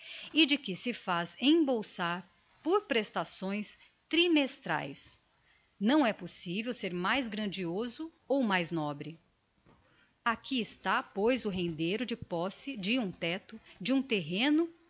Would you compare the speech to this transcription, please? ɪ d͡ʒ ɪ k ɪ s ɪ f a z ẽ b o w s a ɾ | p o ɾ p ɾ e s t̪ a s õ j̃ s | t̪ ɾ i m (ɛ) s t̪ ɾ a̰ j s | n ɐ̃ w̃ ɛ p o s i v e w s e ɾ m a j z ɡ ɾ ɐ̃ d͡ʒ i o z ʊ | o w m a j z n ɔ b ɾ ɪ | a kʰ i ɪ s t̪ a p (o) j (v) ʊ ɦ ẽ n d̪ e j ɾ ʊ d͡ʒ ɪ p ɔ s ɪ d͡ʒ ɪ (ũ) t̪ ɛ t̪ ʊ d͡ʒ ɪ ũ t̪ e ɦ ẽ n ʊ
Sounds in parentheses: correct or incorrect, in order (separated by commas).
incorrect, correct, incorrect, correct